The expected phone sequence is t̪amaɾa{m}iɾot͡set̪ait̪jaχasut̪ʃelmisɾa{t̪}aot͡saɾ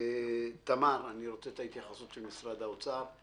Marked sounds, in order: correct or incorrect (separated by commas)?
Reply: incorrect, incorrect